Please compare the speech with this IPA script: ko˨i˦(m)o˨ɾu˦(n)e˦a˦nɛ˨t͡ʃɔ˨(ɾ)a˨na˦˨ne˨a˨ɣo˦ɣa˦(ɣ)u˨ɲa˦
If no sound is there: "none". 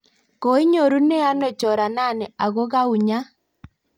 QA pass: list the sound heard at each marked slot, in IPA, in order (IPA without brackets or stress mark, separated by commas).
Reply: ɲ, n, ɾ, none